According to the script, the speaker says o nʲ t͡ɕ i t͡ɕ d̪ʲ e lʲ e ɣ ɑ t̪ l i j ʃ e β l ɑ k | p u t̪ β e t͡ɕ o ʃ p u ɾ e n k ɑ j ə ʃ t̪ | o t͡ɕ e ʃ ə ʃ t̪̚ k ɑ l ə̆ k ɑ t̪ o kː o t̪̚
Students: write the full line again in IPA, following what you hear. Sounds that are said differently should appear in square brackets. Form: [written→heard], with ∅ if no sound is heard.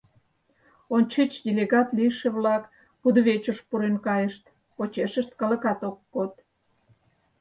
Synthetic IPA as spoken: o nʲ t͡ɕ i t͡ɕ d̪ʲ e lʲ e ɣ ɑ t̪ l i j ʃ e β l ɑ k | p u [t̪→d̪] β e t͡ɕ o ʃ p u ɾ e n k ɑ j ə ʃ t̪ | o t͡ɕ e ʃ ə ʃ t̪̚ k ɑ l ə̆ k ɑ t̪ o kː o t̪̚